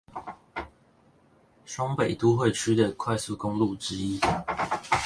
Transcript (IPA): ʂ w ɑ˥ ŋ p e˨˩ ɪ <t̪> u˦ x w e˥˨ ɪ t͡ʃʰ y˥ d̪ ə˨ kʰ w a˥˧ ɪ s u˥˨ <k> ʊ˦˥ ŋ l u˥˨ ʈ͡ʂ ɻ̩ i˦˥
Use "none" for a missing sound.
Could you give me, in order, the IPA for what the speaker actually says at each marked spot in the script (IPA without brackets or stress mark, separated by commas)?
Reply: t̪, k